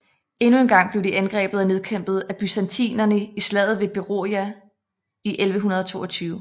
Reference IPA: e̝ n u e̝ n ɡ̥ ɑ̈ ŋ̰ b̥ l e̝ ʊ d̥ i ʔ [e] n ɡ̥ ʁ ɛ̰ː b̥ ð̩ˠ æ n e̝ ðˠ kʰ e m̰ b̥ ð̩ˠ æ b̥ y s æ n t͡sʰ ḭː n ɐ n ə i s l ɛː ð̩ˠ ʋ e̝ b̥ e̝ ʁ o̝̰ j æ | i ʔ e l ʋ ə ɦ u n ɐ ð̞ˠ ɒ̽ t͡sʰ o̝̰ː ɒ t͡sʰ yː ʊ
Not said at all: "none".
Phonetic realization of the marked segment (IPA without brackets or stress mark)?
æ